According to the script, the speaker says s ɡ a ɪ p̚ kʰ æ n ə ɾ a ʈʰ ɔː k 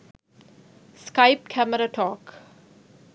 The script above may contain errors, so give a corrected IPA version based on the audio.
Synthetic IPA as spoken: s k a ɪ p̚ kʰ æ m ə ɾ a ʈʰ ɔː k